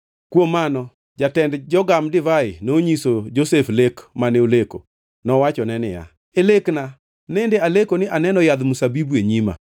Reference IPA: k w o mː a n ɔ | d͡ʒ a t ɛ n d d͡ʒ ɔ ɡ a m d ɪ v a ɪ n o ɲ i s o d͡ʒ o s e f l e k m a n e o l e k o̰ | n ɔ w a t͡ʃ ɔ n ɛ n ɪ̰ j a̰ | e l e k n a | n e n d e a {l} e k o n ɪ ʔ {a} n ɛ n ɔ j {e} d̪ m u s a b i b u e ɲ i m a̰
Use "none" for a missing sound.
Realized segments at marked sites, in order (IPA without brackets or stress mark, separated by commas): l, a, a